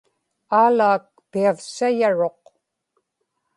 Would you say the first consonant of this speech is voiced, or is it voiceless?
voiced